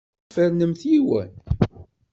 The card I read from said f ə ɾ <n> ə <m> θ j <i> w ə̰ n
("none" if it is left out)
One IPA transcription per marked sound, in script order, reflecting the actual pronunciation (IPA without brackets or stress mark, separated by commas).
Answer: n, m, i